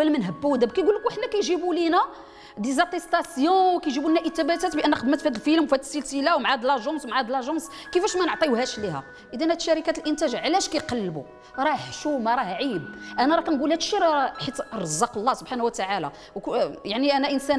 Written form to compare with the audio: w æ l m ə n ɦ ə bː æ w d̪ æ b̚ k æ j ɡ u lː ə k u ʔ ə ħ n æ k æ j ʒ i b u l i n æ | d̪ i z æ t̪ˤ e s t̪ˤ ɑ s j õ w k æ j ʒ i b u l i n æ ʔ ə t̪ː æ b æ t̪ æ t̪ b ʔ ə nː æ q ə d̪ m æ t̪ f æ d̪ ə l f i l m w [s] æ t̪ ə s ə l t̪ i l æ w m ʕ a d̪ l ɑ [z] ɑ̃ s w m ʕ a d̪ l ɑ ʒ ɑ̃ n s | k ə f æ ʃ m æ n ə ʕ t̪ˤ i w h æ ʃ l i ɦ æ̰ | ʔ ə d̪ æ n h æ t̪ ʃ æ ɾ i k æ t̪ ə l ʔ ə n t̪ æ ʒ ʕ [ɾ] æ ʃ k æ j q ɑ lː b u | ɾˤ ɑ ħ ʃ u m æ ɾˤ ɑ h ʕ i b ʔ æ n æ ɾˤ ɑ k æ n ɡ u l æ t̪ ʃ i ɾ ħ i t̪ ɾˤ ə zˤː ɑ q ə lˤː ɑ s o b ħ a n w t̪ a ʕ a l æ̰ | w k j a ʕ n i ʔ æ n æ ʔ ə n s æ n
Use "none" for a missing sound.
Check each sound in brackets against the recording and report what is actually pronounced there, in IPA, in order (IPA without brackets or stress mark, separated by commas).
f, ʒ, l